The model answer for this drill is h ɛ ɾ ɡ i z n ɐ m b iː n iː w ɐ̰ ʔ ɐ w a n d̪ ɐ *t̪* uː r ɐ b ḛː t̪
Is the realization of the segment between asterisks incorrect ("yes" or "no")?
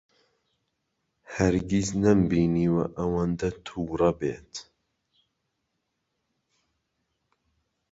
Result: yes